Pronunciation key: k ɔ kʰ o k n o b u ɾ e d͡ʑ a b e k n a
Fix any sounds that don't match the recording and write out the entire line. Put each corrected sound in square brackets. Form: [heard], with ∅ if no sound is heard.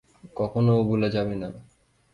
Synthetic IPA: k ɔ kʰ o [∅] n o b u [l] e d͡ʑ a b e [∅] n a